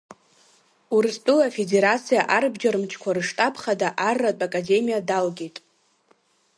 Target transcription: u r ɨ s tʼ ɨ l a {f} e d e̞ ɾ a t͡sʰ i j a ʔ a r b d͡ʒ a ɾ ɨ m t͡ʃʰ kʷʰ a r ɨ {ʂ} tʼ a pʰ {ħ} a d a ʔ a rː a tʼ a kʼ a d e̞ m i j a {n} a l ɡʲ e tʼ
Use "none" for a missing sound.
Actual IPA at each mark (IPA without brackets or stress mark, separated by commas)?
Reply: f, ʂ, χ, d